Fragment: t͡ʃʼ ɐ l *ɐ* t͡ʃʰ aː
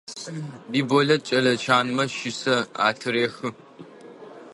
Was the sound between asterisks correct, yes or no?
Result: yes